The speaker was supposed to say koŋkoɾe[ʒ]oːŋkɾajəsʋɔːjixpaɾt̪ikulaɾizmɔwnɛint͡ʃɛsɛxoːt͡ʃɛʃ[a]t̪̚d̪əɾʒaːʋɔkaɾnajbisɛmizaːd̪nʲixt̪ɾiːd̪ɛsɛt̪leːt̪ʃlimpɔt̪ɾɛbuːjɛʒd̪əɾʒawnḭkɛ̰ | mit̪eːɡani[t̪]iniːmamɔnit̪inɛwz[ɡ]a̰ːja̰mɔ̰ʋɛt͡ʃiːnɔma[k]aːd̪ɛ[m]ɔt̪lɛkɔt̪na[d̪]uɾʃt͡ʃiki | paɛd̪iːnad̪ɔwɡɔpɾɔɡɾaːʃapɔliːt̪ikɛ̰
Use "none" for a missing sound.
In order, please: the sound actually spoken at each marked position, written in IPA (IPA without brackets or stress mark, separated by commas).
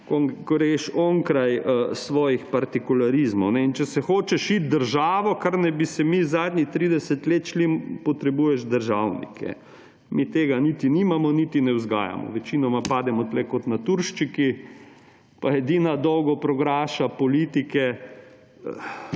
ʃ, i, t̪, ɡ, p, m, t̪